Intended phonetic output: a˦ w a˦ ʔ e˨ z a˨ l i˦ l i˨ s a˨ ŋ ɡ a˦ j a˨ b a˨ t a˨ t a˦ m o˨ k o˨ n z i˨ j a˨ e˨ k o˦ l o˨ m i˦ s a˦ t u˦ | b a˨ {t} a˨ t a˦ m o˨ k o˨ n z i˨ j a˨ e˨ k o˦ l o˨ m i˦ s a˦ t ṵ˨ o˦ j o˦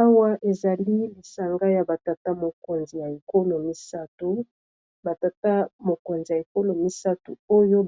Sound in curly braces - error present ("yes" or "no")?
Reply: no